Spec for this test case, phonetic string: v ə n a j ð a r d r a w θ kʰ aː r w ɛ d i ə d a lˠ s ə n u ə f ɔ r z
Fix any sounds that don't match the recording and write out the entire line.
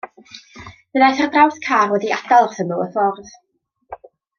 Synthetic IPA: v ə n a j θ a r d r a w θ kʰ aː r w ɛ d i a d a lˠ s ə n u ə f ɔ r ð